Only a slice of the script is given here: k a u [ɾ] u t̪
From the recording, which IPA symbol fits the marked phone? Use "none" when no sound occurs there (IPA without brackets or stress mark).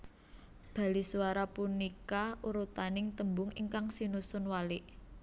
ɾ